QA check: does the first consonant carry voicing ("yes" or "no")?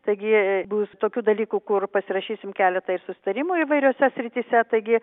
no